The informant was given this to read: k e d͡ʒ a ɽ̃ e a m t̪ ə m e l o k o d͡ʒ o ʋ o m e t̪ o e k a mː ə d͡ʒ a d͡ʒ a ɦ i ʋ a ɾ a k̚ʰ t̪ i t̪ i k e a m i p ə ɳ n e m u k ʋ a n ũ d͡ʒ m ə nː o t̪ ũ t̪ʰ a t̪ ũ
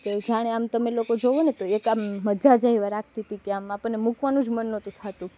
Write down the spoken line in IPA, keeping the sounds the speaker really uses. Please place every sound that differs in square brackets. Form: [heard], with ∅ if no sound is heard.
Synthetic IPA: k e d͡ʒ a ɽ̃ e a m t̪ ə m e l o k o d͡ʒ o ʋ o [n] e t̪ o e k a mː ə d͡ʒ a d͡ʒ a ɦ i ʋ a ɾ a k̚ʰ t̪ i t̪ i k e a m [a] p ə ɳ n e m u k ʋ a n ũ d͡ʒ m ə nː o t̪ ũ t̪ʰ a t̪ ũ